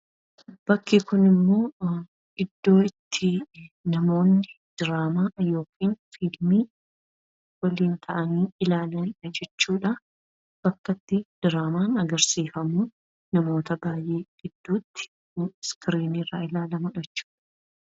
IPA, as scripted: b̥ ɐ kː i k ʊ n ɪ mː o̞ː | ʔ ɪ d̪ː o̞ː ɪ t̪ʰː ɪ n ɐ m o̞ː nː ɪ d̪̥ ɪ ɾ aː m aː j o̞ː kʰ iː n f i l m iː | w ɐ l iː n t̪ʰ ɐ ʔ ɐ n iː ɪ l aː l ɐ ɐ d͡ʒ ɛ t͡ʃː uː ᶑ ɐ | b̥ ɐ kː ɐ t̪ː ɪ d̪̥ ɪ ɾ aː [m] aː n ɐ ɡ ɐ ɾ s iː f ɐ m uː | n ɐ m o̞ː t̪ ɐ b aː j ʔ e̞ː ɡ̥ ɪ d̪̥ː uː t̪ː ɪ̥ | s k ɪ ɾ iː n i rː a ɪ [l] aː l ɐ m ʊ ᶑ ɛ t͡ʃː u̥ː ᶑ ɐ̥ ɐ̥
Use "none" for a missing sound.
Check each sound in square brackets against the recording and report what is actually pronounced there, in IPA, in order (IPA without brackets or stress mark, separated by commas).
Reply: m, l